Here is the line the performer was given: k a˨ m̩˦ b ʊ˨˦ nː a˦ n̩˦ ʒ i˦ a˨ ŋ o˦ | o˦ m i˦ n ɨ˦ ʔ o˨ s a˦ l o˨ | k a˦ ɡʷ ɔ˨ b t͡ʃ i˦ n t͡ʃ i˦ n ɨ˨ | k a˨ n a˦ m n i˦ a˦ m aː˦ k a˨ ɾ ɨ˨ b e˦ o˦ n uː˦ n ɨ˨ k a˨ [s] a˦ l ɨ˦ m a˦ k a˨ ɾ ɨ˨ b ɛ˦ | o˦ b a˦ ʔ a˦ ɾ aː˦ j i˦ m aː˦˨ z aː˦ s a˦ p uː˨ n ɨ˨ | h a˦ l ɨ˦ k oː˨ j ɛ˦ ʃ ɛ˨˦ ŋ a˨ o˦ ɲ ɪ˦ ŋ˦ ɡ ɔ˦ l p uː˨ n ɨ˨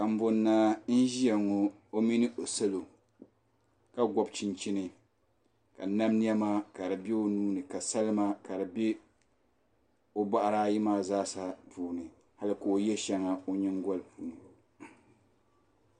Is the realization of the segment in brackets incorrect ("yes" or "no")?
no